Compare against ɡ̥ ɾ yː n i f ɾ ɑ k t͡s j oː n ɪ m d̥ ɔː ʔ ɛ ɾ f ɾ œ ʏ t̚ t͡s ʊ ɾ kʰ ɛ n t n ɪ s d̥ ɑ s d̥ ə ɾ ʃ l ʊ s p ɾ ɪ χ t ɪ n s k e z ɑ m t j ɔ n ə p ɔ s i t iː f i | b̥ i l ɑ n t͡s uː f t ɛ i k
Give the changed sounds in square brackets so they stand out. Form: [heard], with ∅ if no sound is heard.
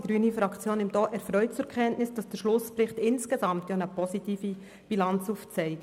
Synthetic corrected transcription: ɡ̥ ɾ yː n i f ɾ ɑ k t͡s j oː n ɪ m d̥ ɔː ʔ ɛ ɾ f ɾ œ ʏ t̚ t͡s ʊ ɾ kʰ ɛ n t n ɪ s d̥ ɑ s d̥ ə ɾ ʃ l ʊ s p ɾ ɪ χ t ɪ n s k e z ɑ m t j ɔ n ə p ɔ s i t iː f i | b̥ i l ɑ n t͡s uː f [t͡s] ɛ [ɪ] k